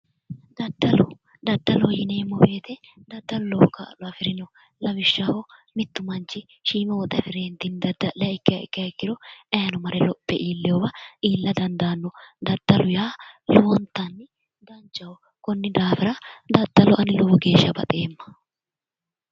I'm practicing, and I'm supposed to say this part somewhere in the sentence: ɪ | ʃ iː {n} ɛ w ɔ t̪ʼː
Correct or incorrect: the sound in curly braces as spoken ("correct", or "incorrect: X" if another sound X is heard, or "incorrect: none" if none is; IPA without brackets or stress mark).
incorrect: m